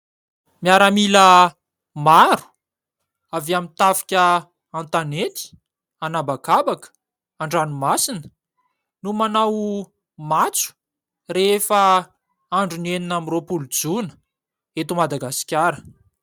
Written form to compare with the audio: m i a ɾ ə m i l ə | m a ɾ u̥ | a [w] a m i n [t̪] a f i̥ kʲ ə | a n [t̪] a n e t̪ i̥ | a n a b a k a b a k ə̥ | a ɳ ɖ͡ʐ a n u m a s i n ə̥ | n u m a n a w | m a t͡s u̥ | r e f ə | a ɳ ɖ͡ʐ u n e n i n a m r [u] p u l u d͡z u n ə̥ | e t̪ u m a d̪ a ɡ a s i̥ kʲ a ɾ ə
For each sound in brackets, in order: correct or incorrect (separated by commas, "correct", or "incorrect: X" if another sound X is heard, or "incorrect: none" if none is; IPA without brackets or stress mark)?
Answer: incorrect: v, correct, correct, incorrect: o